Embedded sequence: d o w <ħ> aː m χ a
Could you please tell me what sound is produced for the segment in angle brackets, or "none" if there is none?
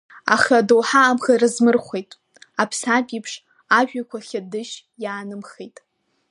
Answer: ħ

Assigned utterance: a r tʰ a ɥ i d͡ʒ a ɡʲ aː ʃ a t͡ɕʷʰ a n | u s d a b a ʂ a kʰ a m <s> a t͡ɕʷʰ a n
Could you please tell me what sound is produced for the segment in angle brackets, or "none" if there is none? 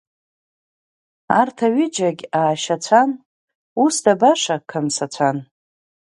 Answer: s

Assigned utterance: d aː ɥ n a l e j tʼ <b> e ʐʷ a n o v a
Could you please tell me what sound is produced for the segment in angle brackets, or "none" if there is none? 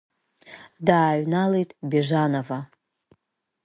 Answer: b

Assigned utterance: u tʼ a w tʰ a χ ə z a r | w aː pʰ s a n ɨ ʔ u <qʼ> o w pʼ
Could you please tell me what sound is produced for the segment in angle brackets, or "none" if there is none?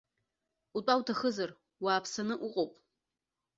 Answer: qʼ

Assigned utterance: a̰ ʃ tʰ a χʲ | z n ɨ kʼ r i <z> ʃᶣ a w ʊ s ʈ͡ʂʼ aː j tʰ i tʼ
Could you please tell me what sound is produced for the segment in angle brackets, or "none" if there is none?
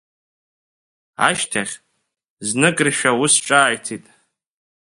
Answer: none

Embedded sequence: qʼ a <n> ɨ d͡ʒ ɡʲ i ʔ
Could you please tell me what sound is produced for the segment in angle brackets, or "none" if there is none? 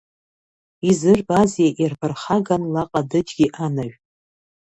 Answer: d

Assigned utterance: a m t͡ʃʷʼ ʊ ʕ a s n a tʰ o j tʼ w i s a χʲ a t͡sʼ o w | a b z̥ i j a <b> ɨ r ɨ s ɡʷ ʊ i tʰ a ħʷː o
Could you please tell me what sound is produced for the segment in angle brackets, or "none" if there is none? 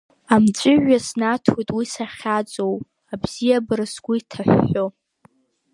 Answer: b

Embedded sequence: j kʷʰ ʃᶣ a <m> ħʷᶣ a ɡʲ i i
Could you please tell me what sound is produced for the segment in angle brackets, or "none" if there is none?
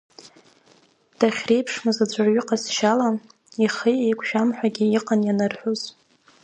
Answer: m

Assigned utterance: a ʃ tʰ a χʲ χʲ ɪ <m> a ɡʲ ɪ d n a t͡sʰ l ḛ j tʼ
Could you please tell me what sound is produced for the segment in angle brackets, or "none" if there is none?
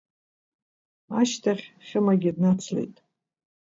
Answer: m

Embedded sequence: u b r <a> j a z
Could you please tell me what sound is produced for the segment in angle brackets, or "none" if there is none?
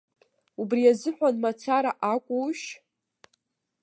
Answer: i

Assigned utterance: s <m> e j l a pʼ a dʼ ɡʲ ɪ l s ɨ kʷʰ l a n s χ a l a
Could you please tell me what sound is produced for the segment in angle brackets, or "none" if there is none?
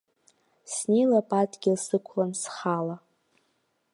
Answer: n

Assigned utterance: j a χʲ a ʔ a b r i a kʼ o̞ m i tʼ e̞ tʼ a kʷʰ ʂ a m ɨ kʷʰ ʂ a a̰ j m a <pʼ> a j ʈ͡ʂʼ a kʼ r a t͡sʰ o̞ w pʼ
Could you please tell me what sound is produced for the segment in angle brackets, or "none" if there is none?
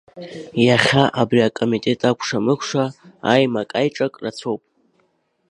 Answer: kʼ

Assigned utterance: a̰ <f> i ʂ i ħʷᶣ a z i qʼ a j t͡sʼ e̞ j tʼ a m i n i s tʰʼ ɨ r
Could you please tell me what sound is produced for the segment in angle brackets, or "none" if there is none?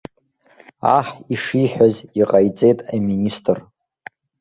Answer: ħ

